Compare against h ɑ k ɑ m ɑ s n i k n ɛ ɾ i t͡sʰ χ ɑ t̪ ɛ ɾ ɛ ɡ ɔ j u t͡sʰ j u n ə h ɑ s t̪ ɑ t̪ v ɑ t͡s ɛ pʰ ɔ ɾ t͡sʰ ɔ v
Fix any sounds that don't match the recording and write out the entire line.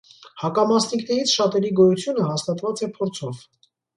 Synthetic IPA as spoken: h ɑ k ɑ m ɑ s n i k n ɛ ɾ i t͡sʰ ʃ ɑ t̪ ɛ ɾ i ɡ ɔ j u t͡sʰ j u n ə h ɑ s t̪ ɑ t̪ v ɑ t͡s ɛ pʰ ɔ ɾ t͡sʰ ɔ v